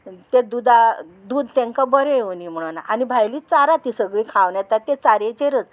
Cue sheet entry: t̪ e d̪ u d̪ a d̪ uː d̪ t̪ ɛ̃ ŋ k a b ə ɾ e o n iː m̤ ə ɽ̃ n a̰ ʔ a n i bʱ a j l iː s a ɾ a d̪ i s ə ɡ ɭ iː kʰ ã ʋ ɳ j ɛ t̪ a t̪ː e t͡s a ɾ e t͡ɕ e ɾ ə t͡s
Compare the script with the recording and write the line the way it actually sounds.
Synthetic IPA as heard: t̪ e d̪ u d̪ a d̪ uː d̪ t̪ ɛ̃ ŋ k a b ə ɾ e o n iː m̤ ə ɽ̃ n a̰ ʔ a n i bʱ a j l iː t͡s a ɾ a t̪ i s ə ɡ ɭ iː kʰ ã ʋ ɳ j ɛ t̪ a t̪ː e t͡s a ɾ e t͡ɕ e ɾ ə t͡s